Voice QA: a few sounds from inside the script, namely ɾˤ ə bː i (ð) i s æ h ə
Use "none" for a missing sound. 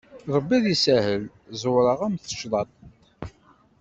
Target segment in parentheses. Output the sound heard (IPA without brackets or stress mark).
ð